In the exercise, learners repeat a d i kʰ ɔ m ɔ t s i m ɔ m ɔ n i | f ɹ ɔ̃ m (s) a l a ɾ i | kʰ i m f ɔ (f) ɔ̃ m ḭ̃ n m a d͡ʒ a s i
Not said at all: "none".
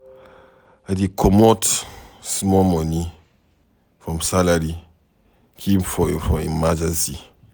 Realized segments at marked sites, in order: s, f

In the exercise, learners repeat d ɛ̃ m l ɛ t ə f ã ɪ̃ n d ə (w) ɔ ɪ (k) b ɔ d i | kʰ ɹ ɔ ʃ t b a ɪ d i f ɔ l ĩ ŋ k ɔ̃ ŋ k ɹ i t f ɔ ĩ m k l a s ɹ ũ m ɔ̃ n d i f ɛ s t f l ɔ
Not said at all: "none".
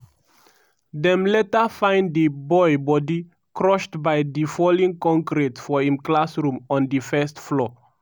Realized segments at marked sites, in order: b, none

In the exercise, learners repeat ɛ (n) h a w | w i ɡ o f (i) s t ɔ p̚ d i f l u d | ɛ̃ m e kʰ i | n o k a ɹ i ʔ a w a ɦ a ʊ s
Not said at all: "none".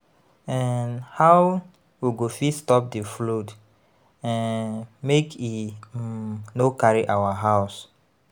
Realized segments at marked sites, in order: n, i

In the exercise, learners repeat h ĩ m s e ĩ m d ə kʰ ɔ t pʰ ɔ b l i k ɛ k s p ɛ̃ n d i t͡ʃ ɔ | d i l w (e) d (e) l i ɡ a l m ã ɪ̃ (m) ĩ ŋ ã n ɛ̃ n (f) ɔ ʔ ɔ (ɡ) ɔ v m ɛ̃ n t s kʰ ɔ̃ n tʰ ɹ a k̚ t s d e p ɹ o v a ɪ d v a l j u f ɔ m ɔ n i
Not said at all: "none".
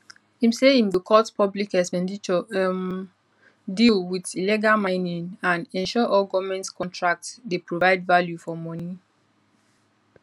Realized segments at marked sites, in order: i, i, n, ʃ, ɡ

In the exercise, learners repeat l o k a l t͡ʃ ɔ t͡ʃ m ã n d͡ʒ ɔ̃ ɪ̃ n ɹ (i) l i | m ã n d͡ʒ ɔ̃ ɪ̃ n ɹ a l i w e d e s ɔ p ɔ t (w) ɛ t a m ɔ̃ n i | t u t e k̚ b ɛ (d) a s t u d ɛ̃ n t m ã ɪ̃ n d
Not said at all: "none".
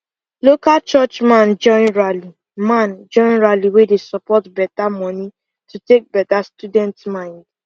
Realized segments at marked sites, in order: a, b, t

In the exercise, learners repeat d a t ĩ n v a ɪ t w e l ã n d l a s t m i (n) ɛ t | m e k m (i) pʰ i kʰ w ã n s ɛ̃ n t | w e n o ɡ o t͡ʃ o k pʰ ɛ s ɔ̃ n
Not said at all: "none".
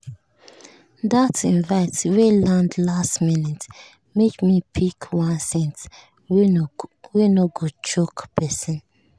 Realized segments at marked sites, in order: n, i

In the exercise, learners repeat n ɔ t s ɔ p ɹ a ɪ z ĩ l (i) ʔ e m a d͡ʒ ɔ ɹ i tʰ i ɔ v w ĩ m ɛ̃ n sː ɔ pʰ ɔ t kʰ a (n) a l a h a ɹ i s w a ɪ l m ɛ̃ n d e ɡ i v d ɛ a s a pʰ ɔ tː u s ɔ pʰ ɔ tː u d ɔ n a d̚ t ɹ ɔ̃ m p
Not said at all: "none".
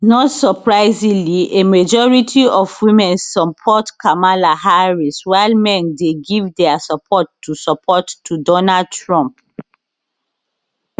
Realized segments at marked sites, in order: i, m

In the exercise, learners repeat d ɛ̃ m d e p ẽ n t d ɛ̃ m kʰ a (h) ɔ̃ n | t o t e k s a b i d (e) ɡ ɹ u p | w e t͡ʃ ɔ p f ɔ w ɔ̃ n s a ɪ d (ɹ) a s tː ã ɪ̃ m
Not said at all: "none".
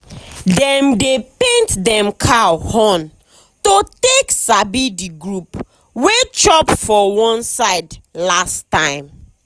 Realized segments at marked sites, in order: h, i, l

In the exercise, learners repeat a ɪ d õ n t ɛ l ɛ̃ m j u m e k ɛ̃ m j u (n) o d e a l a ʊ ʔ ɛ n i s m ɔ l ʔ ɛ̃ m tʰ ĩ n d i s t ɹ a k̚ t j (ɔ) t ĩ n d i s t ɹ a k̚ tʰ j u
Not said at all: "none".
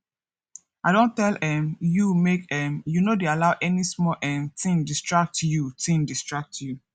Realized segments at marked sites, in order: n, u

